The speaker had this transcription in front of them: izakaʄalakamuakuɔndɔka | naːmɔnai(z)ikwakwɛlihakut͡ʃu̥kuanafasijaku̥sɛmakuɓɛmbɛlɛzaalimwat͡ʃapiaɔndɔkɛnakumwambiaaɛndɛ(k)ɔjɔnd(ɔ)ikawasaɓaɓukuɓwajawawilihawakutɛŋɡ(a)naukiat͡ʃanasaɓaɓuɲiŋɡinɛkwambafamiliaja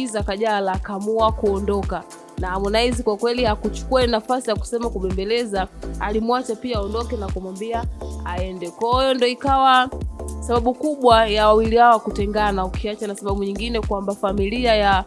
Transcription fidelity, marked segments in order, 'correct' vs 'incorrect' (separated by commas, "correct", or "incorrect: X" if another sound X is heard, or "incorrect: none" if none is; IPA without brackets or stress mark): correct, correct, correct, correct